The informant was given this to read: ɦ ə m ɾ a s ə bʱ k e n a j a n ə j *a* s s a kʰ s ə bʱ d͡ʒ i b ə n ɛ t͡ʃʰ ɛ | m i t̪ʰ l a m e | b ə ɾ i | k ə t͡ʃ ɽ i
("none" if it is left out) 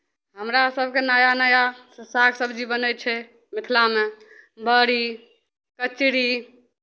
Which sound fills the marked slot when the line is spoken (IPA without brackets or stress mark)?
a